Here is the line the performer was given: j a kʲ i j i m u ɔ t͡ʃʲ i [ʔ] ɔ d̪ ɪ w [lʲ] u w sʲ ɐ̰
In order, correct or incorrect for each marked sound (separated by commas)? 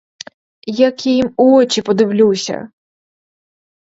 incorrect, correct